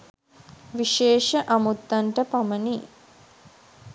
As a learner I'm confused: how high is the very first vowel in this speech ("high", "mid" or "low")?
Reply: high